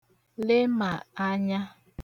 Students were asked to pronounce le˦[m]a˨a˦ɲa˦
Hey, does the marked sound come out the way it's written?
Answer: yes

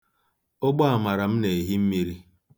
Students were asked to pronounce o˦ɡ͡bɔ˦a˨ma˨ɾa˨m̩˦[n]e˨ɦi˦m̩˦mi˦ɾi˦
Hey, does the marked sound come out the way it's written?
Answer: yes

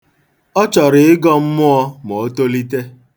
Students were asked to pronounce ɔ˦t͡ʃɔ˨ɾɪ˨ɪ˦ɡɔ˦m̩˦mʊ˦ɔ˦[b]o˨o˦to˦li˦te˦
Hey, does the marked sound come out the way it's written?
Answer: no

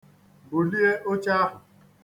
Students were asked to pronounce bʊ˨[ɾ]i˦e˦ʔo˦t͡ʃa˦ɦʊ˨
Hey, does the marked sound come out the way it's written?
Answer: no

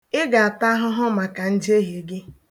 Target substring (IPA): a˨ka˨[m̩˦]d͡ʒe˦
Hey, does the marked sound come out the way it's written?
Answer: no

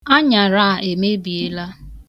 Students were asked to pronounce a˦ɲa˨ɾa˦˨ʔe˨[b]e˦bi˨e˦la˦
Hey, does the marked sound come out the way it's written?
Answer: no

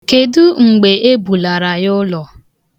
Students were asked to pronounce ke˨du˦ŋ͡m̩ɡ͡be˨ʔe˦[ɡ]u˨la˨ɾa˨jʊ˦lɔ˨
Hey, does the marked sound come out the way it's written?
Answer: no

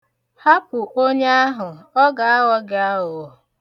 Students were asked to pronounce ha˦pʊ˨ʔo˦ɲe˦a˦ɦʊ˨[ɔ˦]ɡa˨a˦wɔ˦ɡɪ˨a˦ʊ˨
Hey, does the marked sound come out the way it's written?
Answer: yes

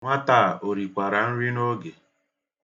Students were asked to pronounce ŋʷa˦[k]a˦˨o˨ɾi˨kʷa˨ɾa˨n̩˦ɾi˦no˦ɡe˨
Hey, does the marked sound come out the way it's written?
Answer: no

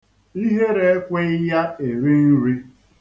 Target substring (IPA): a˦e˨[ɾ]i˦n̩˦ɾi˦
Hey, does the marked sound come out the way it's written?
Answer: yes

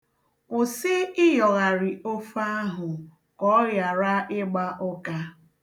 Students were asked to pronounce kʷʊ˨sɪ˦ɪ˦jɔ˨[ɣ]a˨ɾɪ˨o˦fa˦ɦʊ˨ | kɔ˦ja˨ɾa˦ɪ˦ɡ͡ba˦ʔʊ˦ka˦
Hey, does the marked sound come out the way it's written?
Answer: yes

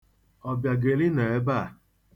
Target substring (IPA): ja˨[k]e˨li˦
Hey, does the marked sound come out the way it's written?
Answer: no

